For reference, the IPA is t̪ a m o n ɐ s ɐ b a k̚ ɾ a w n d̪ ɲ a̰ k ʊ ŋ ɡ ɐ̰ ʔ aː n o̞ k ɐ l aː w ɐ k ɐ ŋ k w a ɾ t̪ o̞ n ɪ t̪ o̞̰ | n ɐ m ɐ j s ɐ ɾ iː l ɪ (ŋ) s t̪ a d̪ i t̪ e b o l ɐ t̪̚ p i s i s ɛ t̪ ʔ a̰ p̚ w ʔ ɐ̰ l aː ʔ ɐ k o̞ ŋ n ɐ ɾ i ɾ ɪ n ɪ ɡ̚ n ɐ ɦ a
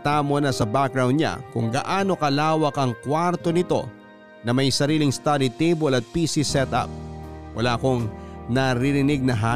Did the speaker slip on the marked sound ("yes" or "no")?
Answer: no